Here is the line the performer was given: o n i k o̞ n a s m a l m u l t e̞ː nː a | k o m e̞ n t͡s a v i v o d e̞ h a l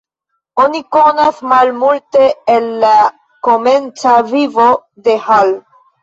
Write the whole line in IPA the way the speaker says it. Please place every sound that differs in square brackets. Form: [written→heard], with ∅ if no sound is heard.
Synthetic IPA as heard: o n i k o̞ n a s m a l m u l t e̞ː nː a | k o m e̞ n t͡s a v i v o d e̞ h a l